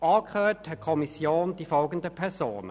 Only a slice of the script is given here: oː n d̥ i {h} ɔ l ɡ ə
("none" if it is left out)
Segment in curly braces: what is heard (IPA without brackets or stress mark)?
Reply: f